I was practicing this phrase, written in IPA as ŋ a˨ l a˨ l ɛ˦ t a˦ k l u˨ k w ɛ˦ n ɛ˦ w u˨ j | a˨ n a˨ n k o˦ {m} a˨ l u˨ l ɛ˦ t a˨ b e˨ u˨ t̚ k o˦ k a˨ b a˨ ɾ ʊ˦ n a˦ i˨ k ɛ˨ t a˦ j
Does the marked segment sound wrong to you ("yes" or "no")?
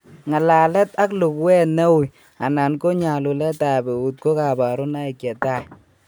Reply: yes